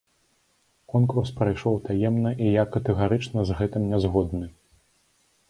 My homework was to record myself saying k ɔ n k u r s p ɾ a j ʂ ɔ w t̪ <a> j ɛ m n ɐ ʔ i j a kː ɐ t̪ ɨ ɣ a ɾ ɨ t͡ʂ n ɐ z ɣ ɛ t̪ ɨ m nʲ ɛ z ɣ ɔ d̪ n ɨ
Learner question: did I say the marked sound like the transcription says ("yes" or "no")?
yes